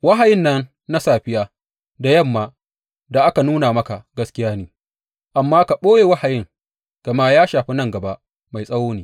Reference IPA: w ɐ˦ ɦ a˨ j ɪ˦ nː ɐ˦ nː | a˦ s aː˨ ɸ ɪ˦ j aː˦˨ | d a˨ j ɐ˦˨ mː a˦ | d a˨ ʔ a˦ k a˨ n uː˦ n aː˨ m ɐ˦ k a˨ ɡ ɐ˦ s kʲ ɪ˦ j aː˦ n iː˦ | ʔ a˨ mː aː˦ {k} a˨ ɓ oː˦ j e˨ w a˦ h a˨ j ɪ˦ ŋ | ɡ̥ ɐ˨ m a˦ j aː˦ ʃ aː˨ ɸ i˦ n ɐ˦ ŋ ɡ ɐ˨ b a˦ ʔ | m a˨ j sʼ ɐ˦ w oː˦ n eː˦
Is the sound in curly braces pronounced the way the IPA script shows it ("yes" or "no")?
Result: yes